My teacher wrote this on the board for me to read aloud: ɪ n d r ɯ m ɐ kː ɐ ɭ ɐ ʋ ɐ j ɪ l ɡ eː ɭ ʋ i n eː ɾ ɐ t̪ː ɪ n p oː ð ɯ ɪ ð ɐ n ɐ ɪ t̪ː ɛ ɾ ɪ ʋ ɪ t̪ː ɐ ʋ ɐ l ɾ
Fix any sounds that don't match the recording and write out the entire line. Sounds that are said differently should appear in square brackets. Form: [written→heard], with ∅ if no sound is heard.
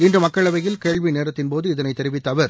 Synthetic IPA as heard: ɪ n d r ɯ m ɐ kː ɐ ɭ ɐ ʋ ɐ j ɪ l [ɡ→k] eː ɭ ʋ i n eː ɾ ɐ t̪ː ɪ n p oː ð ɯ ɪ ð ɐ n ɐ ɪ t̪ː ɛ ɾ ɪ ʋ ɪ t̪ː ɐ ʋ ɐ [l→∅] ɾ